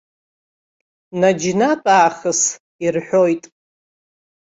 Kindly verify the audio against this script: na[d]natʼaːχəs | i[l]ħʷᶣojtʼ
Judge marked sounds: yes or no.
no, no

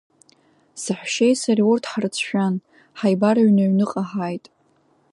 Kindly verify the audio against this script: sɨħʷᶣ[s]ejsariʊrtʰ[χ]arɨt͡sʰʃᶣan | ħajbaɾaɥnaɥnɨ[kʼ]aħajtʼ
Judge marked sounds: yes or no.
no, no, no

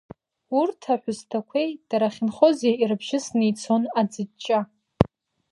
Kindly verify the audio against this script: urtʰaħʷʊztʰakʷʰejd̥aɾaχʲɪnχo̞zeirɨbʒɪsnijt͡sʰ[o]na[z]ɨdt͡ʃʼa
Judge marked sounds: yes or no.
yes, no

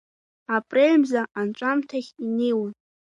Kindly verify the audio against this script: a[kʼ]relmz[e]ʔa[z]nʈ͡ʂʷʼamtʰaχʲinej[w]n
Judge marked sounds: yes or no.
no, no, no, yes

